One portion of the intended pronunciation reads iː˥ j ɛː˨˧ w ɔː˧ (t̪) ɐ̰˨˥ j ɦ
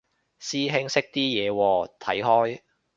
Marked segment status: incorrect: t̪ʰ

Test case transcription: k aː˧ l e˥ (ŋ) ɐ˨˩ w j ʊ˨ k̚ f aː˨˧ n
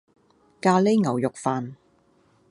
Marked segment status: correct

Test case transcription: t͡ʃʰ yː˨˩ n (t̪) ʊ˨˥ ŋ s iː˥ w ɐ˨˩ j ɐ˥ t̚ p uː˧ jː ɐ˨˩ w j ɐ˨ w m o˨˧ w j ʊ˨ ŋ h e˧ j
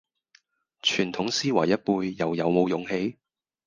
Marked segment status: incorrect: t̪ʰ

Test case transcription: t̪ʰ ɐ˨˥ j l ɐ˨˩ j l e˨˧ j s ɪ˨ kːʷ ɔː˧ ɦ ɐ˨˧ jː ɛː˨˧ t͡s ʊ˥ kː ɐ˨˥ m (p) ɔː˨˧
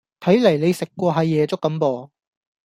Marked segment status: correct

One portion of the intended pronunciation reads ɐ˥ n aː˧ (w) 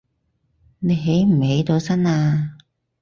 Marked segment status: incorrect: none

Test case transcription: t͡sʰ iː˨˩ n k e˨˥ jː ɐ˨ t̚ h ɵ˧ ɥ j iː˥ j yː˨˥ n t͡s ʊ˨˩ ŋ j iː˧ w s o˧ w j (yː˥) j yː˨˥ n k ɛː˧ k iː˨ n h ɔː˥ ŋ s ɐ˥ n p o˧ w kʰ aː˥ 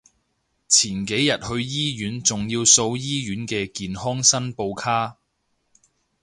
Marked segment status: incorrect: iː˥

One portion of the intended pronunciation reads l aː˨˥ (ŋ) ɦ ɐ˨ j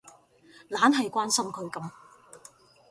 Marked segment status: incorrect: n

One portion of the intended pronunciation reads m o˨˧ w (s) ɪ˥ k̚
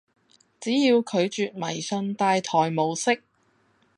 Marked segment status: correct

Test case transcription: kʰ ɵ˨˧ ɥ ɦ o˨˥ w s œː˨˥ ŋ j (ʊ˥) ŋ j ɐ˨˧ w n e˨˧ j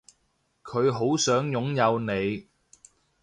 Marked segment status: incorrect: ʊ˨˥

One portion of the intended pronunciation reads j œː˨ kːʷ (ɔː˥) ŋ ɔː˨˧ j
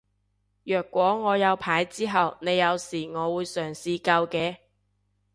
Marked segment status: incorrect: ɔː˨˥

